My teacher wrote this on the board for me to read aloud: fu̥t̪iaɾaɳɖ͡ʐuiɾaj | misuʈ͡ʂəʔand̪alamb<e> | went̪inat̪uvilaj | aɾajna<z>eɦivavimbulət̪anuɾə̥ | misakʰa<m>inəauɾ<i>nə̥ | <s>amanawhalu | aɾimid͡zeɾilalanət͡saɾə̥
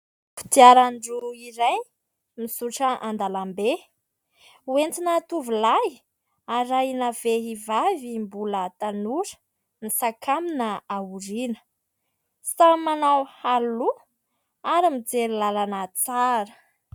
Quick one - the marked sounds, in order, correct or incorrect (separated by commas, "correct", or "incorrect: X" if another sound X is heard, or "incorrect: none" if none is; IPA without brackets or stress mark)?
correct, incorrect: v, correct, correct, correct